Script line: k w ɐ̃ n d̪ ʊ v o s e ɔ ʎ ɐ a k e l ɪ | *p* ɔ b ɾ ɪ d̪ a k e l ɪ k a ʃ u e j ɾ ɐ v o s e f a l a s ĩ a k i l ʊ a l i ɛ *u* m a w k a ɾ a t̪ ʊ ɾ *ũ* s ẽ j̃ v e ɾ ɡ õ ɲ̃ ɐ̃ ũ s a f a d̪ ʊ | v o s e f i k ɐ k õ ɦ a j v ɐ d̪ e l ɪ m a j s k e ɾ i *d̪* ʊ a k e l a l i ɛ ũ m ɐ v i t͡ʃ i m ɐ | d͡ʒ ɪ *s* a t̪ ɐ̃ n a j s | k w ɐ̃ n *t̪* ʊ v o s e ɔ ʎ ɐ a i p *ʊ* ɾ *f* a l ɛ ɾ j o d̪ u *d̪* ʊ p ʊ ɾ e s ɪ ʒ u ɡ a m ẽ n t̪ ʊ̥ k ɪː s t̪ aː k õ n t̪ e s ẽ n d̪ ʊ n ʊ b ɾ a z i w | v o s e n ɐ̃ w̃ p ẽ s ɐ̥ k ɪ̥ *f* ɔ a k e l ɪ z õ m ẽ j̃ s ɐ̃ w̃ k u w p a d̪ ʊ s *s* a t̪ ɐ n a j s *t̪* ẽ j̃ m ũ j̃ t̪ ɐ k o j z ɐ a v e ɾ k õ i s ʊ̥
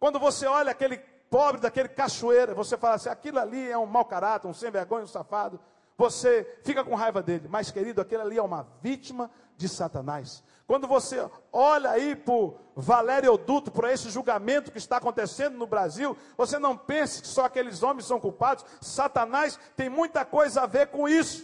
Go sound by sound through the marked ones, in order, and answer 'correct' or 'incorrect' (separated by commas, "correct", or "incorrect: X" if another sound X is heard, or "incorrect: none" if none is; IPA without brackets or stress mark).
correct, incorrect: ũ, correct, correct, correct, incorrect: d̪, correct, incorrect: v, incorrect: t̪, incorrect: s, correct, correct